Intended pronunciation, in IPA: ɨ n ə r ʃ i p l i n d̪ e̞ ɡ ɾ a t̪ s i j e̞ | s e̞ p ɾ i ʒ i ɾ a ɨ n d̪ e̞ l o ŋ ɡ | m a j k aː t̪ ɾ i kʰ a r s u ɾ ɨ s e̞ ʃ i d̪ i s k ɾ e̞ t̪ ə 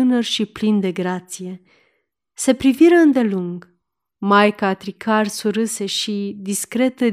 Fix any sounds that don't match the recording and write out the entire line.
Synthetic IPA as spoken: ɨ n ə r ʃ i p l i n d̪ e̞ ɡ ɾ a t̪ s i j e̞ | s e̞ p ɾ i v i ɾ ə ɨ n d̪ e̞ l u ŋ ɡ | m a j k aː t̪ ɾ i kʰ a r s u ɾ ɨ s e̞ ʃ i d̪ i s k ɾ e̞ t̪ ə